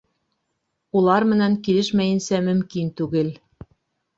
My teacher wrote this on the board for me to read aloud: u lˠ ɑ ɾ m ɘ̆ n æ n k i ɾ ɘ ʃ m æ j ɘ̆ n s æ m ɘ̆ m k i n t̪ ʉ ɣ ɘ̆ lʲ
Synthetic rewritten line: u lˠ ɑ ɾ m ɘ̆ n æ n k i l ɘ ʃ m æ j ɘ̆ n s æ m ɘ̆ m k i n t̪ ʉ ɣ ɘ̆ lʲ